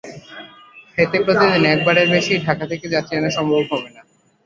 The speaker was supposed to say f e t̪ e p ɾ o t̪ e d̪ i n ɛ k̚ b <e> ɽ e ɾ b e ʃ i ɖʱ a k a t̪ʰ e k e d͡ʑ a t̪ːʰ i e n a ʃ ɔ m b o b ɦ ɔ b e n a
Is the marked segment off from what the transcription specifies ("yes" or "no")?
yes